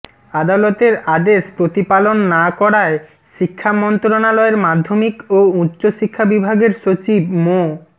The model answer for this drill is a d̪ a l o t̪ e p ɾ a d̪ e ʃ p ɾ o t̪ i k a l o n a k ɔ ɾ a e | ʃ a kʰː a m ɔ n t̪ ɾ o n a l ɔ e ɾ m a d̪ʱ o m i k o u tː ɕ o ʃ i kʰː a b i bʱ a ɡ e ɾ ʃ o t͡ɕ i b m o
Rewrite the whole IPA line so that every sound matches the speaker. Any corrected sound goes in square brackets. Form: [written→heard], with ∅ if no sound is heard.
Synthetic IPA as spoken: a d̪ a l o t̪ e [p→∅] ɾ a d̪ e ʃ p ɾ o t̪ i [k→p] a l o [n→nː] a k ɔ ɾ a e | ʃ [a→i] kʰː a m ɔ n t̪ ɾ o n a l ɔ e ɾ m a [d̪ʱ→d̪ʱː] o m i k o u tː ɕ o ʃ i kʰː a b i bʱ a ɡ e ɾ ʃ o t͡ɕ i b m o